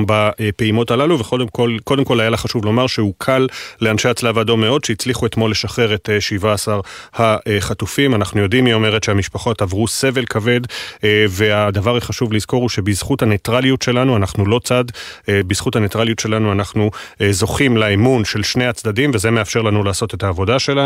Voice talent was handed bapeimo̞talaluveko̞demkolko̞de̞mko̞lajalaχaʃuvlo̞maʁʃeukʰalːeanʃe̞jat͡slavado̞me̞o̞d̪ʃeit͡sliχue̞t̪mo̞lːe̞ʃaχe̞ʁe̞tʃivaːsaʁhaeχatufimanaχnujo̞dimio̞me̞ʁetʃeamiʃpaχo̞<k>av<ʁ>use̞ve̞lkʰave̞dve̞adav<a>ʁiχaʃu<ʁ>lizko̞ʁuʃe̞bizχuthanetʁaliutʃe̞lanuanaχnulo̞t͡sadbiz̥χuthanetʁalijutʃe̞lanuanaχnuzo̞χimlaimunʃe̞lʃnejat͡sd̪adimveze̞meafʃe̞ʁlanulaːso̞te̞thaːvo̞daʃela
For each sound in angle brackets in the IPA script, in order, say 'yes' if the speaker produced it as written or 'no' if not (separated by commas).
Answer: no, yes, yes, no